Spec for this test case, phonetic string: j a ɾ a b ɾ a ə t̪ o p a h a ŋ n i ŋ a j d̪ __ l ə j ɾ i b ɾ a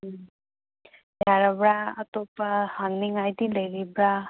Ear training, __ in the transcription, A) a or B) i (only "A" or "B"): B